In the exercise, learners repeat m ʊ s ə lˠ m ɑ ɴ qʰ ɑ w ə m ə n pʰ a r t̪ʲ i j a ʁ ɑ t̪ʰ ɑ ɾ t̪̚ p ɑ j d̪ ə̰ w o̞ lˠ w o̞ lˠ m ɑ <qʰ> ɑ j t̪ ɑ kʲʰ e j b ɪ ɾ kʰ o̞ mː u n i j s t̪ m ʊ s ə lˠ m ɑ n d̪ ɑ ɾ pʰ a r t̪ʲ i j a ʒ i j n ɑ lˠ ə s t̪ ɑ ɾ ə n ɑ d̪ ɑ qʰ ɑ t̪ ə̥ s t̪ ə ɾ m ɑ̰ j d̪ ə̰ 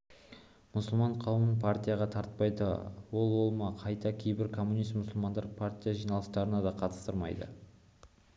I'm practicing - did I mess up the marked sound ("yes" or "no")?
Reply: no